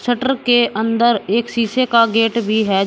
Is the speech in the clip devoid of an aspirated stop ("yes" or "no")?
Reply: yes